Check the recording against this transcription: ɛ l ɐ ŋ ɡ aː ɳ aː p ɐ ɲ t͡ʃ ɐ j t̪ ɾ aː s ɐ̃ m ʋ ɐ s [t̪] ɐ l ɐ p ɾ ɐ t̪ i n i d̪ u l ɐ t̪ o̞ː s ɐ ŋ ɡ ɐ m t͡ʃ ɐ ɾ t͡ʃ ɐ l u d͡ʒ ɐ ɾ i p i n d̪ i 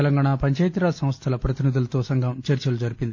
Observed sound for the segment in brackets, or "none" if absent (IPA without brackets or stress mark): t̪ʰ